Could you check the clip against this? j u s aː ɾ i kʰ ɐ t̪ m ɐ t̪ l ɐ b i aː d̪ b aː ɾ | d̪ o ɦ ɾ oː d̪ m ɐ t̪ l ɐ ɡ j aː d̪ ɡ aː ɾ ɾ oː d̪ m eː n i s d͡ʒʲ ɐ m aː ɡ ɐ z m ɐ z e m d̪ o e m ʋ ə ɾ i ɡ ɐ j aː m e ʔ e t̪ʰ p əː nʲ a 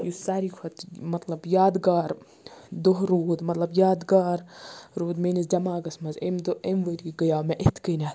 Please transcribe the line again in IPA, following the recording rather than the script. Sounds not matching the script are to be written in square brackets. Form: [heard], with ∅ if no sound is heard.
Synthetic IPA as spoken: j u s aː ɾ i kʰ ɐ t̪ m ɐ t̪ l ɐ b [j] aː d̪ [ɡ] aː ɾ | d̪ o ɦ ɾ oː d̪ m ɐ t̪ l ɐ [b] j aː d̪ ɡ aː ɾ ɾ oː d̪ m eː n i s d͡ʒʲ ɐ m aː ɡ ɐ [s] m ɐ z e m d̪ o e m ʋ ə ɾ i ɡ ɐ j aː m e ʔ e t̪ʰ [k] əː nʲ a